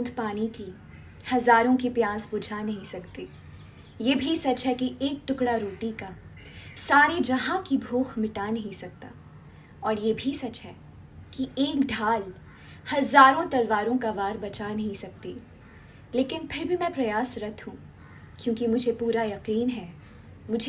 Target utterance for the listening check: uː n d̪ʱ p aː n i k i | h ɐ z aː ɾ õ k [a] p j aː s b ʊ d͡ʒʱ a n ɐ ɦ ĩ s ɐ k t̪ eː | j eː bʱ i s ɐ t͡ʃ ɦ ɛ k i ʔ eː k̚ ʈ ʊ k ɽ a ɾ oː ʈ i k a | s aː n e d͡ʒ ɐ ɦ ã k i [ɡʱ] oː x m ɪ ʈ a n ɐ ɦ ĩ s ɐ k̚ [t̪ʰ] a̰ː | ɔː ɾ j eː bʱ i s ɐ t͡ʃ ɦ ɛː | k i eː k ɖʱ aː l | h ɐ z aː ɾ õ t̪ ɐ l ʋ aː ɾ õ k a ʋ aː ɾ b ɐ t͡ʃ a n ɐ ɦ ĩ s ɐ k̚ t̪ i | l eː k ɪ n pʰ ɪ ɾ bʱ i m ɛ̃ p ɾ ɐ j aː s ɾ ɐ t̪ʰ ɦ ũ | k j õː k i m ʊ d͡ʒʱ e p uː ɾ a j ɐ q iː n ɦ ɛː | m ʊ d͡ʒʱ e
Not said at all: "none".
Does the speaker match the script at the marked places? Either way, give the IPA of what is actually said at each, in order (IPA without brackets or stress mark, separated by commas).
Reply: i, bʱ, t̪